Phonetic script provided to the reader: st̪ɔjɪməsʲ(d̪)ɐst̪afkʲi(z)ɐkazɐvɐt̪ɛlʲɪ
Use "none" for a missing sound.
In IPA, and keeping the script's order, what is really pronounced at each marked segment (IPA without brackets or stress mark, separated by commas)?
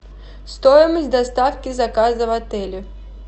d̪, z